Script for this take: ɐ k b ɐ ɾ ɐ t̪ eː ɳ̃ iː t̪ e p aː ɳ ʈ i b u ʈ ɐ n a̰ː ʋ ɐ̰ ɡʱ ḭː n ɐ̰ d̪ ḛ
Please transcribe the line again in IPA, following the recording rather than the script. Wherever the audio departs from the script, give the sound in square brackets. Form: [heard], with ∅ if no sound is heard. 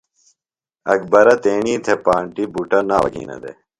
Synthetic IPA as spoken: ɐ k b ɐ ɾ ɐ t̪ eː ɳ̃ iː [t̪ʰ] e p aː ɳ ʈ i b u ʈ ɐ n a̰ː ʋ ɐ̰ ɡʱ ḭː n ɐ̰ d̪ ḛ